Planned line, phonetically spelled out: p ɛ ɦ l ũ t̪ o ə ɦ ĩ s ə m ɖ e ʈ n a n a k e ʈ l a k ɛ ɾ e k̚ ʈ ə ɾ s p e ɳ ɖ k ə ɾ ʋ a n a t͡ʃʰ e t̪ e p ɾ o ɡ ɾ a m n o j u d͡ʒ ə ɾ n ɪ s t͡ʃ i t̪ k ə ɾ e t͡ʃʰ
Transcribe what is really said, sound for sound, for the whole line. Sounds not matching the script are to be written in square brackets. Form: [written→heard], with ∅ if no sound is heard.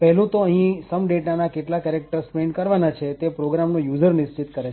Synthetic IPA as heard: p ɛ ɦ l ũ t̪ o ə ɦ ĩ s ə m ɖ e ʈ n a n a k e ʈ l a k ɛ ɾ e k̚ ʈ ə ɾ s p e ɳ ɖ k ə ɾ ʋ a n a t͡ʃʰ e t̪ e p ɾ o ɡ ɾ a m n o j u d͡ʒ ə ɾ n ɪ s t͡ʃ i t̪ k ə ɾ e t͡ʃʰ